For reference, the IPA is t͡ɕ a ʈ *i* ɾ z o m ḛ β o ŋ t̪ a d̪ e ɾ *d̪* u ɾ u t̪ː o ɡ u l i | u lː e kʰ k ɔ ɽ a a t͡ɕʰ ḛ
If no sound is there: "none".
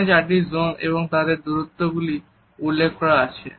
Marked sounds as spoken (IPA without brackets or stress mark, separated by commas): i, d̪